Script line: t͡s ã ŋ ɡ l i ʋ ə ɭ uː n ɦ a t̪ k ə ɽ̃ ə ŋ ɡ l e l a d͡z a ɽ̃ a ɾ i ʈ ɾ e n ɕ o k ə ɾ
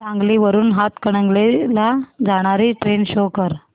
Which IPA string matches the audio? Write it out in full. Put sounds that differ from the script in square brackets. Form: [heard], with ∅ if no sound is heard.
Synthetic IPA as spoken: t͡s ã ŋ ɡ l i ʋ ə [ɾ] uː n ɦ a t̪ k ə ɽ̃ ə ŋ ɡ l e l a d͡z a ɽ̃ a ɾ i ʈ ɾ e n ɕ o k ə ɾ

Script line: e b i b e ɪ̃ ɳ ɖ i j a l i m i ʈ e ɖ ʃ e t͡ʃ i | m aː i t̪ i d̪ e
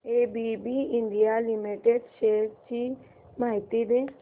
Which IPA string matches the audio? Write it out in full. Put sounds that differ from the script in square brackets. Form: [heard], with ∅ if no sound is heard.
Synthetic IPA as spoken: e b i b [i] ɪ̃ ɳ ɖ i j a l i m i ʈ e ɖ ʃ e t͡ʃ i | m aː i t̪ i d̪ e

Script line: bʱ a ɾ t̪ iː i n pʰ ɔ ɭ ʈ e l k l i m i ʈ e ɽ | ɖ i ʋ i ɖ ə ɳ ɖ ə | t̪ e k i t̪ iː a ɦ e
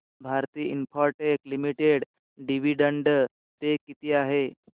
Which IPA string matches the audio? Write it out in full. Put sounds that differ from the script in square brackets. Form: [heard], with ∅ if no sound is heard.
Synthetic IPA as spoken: bʱ a ɾ t̪ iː i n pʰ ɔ [ɾ] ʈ e [∅] k l i m i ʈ e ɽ | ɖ i ʋ i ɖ ə ɳ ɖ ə | t̪ e k i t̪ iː a ɦ e

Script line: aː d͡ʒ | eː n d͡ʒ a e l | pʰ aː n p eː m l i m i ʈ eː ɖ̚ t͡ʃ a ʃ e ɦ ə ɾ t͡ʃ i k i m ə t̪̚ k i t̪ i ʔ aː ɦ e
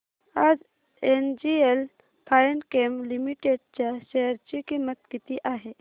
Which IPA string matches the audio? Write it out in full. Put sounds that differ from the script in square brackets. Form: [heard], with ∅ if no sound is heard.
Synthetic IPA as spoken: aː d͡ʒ | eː n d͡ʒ [i] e l | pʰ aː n [k] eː m l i m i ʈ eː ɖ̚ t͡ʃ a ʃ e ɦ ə ɾ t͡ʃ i k i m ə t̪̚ k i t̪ i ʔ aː ɦ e

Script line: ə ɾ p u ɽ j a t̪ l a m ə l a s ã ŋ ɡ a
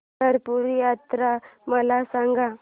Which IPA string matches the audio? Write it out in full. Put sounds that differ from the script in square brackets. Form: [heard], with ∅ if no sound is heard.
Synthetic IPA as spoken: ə ɾ p u [ɾ] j a t̪ [ɾ] a m ə l a s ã ŋ ɡ a

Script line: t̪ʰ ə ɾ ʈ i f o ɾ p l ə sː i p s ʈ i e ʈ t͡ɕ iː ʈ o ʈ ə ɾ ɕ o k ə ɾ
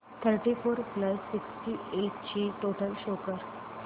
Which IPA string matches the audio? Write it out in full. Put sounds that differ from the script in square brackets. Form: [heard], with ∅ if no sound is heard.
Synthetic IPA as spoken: t̪ʰ ə ɾ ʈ i f o ɾ p l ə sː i [k] s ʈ i e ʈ t͡ɕ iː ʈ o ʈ ə [l] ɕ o k ə ɾ

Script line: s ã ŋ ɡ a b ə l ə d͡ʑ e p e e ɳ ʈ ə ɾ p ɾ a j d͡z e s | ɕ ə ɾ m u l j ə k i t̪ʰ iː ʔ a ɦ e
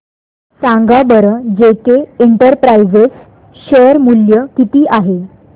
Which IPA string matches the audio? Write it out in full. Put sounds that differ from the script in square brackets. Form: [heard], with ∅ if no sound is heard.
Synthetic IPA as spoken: s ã ŋ ɡ a b ə [ɾ] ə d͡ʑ e [k] e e ɳ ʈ ə ɾ p ɾ a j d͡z e s | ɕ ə ɾ m u l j ə k i [t̪] iː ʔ a ɦ e

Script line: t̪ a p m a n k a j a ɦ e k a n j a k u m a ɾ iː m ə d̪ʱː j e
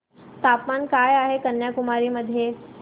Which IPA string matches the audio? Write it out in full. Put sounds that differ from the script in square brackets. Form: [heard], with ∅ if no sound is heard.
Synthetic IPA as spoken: t̪ a p m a n k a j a ɦ e k [ə] n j a k u m a ɾ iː m ə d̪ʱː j e

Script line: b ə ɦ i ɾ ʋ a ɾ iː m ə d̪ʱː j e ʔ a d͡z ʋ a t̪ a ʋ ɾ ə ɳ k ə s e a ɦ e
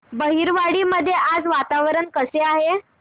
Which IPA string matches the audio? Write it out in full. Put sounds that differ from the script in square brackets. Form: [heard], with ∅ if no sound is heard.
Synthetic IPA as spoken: b ə ɦ i ɾ ʋ a [ɽ] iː m ə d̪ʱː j e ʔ a d͡z ʋ a t̪ a ʋ ɾ ə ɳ k ə s e a ɦ e

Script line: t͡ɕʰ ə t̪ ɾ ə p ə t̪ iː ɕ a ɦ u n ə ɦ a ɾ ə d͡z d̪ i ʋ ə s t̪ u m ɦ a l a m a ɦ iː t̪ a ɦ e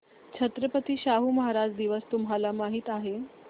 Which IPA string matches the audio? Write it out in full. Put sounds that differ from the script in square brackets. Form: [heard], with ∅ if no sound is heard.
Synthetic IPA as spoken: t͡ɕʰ ə t̪ ɾ ə p ə t̪ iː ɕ a ɦ u [m] ə ɦ a ɾ [a] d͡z d̪ i ʋ ə s t̪ u m ɦ a l a m a ɦ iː t̪ a ɦ e

